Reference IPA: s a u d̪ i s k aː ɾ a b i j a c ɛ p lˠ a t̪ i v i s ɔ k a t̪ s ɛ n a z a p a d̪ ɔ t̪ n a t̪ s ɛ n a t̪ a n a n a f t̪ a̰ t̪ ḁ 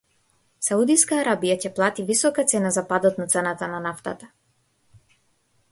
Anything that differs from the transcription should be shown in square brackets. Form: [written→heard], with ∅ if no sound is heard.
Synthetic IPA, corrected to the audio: s a u d̪ i s k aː ɾ a b i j a c ɛ p lˠ a t̪ i v i s ɔ k a t̪ s ɛ n a z a p a d̪ ɔ t̪ n a t̪ s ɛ n a t̪ a n a n a f t̪ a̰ t̪ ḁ